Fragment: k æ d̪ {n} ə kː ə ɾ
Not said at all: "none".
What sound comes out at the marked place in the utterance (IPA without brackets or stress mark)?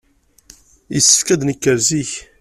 n